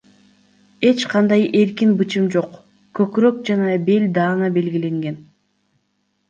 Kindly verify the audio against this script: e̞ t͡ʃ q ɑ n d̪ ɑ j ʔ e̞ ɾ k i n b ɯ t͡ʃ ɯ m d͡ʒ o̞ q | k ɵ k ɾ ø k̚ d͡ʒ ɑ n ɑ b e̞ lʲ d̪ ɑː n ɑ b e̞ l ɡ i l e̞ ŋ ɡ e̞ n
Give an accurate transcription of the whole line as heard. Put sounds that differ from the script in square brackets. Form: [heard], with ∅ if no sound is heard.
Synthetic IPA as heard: e̞ t͡ʃ q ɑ n d̪ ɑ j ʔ e̞ ɾ k i n b ɯ t͡ʃ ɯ m d͡ʒ o̞ q | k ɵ k ɾ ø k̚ d͡ʒ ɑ n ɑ b e̞ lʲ d̪ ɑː n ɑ b e̞ l ɡ i l e̞ ŋ ɡ e̞ n